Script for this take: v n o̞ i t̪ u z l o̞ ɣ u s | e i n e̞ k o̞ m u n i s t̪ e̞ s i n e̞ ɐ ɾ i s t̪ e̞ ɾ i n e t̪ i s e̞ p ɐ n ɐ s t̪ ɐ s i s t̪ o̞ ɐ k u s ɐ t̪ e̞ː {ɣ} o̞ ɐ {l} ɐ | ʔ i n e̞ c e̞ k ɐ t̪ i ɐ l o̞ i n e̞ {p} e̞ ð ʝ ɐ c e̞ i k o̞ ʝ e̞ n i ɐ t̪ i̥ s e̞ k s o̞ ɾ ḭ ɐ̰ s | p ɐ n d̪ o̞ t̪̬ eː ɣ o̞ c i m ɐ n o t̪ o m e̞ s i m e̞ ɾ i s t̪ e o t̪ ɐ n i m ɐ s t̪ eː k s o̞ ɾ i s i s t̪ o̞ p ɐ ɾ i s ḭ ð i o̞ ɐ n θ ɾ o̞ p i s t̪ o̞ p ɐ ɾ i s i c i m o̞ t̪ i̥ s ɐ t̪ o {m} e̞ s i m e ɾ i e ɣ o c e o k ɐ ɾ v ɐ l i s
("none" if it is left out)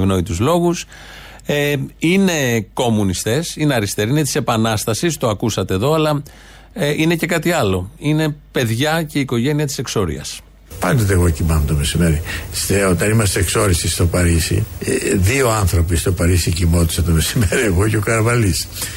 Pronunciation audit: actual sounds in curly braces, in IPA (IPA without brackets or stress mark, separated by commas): ð, l, p, m